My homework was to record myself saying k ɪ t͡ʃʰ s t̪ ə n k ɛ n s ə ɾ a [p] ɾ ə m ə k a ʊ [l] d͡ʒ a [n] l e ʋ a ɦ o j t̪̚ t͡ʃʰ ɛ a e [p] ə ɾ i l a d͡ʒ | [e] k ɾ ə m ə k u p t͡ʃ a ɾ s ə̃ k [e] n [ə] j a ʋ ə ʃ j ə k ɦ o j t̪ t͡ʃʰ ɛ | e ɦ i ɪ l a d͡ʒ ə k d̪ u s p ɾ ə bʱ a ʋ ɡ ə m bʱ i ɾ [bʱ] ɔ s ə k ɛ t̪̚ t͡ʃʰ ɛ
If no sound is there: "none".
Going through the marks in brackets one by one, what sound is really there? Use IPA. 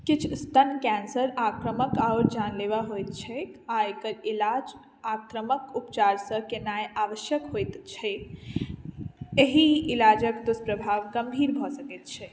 k, ɾ, n, k, a, e, a, bʱ

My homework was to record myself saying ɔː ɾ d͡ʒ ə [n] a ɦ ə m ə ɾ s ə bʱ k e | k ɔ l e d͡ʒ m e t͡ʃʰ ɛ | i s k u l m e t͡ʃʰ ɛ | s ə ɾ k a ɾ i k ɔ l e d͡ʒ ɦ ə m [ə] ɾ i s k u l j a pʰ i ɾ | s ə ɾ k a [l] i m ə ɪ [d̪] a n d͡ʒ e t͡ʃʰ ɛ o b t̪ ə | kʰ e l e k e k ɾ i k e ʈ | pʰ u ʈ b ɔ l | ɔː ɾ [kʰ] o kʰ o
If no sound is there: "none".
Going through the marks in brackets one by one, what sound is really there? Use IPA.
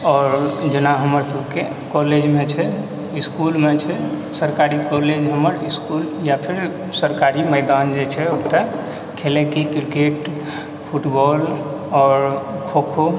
n, ə, ɾ, d̪, kʰ

